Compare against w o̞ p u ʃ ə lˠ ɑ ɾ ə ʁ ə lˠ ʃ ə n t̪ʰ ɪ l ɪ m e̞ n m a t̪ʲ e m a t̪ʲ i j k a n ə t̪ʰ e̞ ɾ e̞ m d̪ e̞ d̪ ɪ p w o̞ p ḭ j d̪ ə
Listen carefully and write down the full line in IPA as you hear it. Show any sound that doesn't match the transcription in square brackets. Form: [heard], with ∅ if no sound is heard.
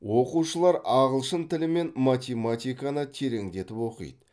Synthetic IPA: w o̞ [q] u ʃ ə lˠ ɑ ɾ [ɑ] ʁ ə lˠ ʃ ə n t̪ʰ ɪ l ɪ m e̞ n m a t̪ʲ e m a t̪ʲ i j k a n ə t̪ʰ e̞ ɾ e̞ [ŋ] d̪ e̞ [t̪] ɪ p w o̞ [q] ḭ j d̪ ə